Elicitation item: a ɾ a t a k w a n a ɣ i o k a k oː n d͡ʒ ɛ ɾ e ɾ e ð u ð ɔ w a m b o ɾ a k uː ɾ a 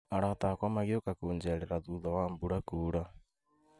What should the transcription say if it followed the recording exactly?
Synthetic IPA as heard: a ɾ a t a k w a m a ɣ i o k a k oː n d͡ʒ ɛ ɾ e ɾ a ð u ð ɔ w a m b u ɾ a k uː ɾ a